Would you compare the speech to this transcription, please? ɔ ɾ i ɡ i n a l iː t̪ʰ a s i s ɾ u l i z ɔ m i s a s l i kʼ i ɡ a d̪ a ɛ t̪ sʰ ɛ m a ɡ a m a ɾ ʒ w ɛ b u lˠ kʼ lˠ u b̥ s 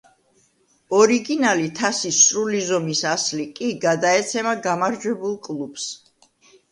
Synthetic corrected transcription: ɔ ɾ i ɡ i n a l i t̪ʰ a s i s ɾ u l i z ɔ m i s a s l i kʼ i ɡ a d̪ a ɛ t̪ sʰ ɛ m a ɡ a m a ɾ d͡ʒ w ɛ b u lˠ kʼ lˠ u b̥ s